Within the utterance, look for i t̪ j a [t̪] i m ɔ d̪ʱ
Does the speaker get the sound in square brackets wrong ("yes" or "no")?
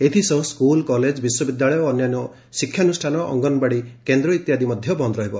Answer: yes